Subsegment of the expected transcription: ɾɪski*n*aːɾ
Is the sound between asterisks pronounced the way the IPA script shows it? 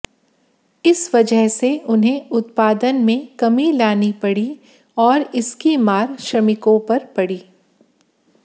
no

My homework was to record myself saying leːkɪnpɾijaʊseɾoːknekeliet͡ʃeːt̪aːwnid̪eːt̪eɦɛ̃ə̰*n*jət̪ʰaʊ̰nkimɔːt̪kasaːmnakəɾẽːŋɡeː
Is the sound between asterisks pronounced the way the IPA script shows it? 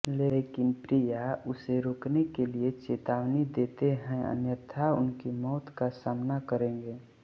yes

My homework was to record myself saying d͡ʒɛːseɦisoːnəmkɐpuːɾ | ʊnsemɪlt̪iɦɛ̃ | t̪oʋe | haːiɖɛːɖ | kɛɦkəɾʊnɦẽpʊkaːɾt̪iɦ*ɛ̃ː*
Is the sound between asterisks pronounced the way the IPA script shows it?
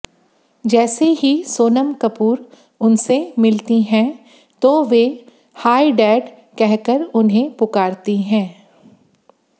yes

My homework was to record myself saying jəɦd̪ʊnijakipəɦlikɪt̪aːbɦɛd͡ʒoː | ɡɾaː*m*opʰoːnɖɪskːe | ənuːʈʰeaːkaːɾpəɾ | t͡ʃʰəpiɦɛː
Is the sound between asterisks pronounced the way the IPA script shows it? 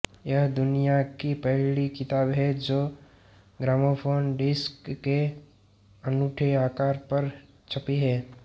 yes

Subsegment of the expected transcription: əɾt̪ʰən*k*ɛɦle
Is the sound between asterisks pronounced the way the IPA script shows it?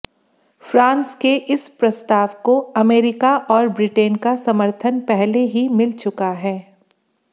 no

